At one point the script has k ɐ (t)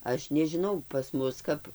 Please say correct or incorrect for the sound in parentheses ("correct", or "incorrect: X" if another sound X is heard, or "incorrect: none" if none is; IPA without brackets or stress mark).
incorrect: p